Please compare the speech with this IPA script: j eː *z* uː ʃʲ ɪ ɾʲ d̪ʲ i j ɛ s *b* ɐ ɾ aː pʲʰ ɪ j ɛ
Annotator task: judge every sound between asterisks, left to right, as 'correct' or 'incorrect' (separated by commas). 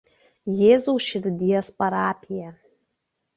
correct, incorrect